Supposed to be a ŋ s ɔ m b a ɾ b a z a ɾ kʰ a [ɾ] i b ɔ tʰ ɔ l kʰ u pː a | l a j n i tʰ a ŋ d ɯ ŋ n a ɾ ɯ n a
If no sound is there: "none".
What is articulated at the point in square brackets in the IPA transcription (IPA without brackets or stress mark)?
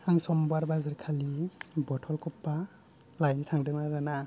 l